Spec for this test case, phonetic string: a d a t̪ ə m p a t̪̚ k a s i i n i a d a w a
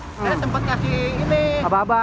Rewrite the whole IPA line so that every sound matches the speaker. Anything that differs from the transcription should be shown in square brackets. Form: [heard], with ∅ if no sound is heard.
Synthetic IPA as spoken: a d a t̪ ə m p a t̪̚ k a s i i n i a [b] a [b] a